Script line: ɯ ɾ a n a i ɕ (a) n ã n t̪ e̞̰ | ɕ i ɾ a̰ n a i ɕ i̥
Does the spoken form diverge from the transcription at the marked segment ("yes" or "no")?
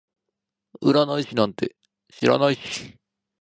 yes